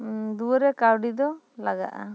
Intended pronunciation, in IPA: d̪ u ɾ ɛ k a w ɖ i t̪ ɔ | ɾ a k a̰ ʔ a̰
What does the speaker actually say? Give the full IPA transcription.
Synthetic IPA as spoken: d̪ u ɾ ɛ k a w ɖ i d̪ ɔ | l a ɡ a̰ ʔ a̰